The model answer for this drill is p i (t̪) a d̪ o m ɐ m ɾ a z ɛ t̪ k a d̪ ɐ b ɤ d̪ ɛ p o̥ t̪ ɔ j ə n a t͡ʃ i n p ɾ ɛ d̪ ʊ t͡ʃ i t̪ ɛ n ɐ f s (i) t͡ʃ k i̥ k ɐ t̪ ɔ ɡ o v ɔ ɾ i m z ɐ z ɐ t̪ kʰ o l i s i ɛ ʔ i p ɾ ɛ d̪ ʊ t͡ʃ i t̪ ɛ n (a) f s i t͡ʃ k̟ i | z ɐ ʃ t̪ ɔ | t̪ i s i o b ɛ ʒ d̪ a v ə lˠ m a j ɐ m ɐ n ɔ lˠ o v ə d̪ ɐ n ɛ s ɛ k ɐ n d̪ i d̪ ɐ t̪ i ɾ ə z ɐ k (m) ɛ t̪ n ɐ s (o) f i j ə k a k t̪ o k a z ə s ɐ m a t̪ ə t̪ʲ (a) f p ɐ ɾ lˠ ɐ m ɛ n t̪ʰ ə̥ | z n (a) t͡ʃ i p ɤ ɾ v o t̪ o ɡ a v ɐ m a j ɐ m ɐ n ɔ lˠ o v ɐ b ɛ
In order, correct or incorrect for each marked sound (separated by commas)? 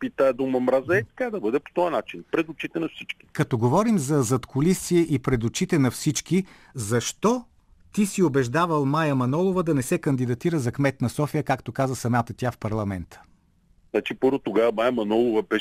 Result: correct, correct, incorrect, correct, incorrect, correct, correct